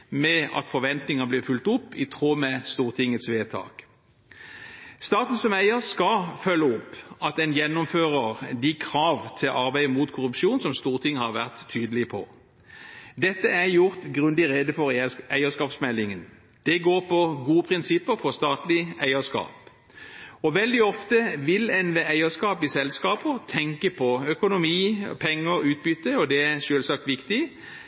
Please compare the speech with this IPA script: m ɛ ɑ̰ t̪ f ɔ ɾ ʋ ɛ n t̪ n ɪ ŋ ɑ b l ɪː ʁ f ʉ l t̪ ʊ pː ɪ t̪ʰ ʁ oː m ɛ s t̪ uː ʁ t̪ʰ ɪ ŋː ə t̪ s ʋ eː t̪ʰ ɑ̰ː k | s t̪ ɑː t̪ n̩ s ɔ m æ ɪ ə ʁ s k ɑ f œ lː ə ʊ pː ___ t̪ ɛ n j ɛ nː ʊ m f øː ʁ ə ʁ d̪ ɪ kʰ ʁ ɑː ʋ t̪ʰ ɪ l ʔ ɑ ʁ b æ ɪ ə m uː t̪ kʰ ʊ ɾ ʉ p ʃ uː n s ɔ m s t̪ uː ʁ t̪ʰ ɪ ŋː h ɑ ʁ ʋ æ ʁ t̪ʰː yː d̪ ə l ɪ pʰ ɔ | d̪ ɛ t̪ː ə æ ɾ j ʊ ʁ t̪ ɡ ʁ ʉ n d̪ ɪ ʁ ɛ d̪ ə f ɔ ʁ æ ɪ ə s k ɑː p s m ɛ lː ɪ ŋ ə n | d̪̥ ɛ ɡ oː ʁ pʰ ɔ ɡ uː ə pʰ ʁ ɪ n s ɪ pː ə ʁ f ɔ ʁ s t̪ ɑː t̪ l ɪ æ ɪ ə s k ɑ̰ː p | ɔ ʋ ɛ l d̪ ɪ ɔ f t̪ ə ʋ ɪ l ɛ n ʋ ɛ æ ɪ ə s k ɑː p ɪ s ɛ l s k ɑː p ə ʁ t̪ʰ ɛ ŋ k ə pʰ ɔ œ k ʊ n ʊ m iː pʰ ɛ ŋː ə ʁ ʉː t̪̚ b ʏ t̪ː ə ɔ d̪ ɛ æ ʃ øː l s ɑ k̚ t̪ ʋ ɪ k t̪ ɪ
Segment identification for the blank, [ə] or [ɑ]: ɑ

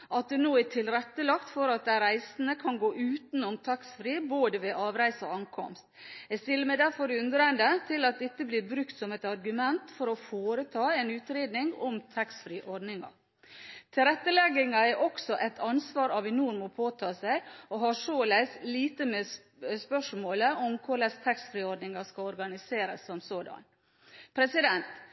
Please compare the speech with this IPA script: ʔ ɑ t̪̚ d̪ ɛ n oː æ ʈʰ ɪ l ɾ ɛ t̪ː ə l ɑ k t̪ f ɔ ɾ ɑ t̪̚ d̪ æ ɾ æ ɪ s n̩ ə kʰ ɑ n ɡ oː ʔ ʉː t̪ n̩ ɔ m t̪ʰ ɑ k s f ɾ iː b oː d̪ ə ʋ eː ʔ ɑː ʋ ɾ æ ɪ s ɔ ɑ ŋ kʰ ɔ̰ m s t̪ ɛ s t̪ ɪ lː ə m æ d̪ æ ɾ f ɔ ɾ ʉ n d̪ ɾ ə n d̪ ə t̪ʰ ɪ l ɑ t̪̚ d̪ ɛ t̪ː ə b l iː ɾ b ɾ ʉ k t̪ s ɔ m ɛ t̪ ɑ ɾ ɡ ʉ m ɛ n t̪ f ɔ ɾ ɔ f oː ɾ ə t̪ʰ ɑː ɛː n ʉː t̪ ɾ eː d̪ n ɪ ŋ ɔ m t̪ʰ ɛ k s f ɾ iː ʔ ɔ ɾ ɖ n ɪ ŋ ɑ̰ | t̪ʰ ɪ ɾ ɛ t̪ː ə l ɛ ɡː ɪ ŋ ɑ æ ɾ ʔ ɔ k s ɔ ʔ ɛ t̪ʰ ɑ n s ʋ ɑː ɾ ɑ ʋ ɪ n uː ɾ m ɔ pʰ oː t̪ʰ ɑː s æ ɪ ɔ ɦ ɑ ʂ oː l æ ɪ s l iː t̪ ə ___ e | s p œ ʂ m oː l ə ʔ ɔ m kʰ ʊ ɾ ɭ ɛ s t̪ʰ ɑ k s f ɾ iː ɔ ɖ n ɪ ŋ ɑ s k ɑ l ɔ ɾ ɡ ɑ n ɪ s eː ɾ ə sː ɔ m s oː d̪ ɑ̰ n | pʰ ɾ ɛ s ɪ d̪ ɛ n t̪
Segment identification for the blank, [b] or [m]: m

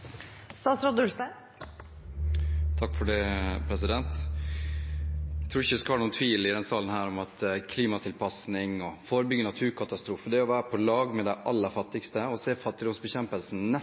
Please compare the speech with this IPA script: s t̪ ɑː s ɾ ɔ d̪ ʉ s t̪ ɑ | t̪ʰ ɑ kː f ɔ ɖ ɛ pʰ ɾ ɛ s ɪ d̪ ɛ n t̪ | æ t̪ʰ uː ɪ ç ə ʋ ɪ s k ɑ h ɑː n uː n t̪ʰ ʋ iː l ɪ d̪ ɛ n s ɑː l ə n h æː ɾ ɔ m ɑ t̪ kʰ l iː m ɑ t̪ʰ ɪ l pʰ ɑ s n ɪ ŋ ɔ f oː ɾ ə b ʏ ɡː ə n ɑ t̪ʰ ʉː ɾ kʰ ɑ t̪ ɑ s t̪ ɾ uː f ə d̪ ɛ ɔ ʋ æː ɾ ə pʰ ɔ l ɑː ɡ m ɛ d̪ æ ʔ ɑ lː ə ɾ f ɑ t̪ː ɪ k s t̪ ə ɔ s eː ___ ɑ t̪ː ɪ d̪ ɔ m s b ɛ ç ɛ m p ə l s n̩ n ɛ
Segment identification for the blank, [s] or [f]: f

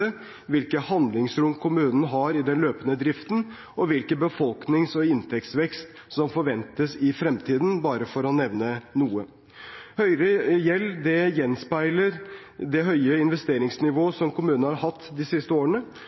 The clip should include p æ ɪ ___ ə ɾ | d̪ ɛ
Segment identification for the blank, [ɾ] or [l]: l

